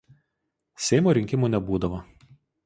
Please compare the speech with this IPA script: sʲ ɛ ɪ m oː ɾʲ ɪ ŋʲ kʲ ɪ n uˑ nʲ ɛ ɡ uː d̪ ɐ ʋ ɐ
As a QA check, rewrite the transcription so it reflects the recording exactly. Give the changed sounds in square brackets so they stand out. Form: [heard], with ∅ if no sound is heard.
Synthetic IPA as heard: sʲ ɛ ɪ m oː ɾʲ ɪ ŋʲ kʲ ɪ [m] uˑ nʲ ɛ [b] uː d̪ ɐ ʋ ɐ

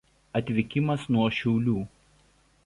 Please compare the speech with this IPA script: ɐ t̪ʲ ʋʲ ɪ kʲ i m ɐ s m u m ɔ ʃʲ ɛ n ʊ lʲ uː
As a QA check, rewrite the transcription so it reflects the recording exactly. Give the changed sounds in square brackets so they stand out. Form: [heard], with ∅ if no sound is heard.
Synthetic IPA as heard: ɐ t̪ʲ ʋʲ ɪ kʲ [ɪ] m ɐ s [n] u [∅] ɔ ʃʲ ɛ [∅] ʊ lʲ uː

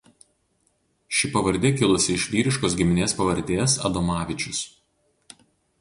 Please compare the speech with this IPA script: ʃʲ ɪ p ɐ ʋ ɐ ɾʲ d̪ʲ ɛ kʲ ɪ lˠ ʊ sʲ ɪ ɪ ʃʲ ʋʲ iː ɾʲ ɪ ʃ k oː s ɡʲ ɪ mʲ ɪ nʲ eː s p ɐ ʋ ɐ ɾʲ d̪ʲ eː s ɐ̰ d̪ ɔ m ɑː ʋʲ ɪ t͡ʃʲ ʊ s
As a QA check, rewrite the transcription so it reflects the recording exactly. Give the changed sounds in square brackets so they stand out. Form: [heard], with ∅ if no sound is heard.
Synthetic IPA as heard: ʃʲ ɪ p ɐ ʋ ɐ ɾʲ d̪ʲ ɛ kʲ ɪ lˠ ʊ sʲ ɪ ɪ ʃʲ ʋʲ iː ɾʲ ɪ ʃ k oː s ɡʲ ɪ mʲ ɪ nʲ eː s p ɐ ʋ ɐ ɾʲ d̪ʲ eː s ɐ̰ d̪ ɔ m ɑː ʋʲ ɪ t͡ʃʲ ʊ s

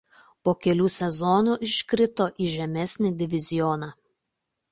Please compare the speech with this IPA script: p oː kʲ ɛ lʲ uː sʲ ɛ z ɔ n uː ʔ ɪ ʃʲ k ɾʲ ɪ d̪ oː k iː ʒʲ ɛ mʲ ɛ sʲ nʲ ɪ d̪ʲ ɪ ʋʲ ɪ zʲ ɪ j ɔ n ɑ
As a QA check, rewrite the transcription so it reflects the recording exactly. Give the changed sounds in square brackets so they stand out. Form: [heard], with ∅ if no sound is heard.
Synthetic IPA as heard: p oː kʲ ɛ lʲ uː sʲ ɛ z ɔ n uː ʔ ɪ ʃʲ k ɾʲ ɪ [t̪] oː [ʔ] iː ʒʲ ɛ mʲ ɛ sʲ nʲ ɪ d̪ʲ ɪ ʋʲ ɪ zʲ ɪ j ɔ n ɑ

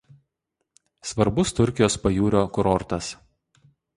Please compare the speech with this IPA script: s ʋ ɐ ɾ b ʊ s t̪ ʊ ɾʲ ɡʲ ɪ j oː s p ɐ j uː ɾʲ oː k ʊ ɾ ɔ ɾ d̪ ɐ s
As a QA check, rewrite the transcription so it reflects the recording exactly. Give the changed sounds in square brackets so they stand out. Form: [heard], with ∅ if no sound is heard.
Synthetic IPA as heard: s ʋ ɐ ɾ b ʊ s t̪ ʊ ɾʲ [kʲ] ɪ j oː s p ɐ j uː ɾʲ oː k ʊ ɾ ɔ ɾ [t̪] ɐ s

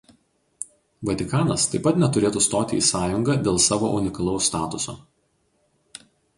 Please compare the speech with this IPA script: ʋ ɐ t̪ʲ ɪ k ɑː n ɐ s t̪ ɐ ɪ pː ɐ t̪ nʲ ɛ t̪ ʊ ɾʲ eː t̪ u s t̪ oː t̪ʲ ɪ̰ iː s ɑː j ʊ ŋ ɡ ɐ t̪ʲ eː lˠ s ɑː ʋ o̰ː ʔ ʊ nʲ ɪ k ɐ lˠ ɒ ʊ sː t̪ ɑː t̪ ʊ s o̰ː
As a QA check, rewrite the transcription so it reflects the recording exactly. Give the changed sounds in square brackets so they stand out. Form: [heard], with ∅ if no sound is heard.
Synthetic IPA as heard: ʋ ɐ t̪ʲ ɪ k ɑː n ɐ s t̪ ɐ ɪ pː ɐ t̪ nʲ ɛ t̪ ʊ ɾʲ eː t̪ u s t̪ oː t̪ʲ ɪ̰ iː s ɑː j ʊ ŋ ɡ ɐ [d̪ʲ] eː lˠ s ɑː ʋ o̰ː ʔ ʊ nʲ ɪ k ɐ lˠ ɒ ʊ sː t̪ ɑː t̪ ʊ s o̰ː

